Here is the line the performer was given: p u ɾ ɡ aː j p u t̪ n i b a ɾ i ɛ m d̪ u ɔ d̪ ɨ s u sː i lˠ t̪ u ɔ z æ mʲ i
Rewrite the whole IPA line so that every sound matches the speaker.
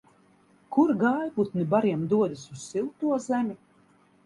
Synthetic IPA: k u ɾ ɡ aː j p u t̪ n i b a ɾ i ɛ m d̪ u ɔ d̪ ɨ s u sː i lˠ t̪ u ɔ z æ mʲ i